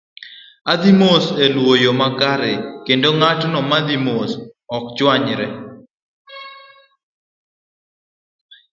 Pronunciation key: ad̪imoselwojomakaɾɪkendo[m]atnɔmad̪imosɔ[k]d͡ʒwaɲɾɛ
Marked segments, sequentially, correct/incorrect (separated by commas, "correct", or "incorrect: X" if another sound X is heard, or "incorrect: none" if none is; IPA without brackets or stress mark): incorrect: ŋ, correct